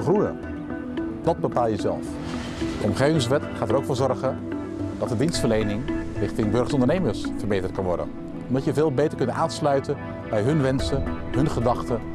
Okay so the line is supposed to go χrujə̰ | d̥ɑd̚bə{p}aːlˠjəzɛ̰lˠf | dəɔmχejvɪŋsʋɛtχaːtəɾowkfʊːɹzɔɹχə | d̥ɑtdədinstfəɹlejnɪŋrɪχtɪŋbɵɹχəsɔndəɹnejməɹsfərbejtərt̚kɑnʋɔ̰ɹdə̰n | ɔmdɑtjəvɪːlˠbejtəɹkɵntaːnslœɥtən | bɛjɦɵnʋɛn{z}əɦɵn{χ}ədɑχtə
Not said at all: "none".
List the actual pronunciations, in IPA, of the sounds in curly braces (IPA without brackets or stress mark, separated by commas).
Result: p, s, χ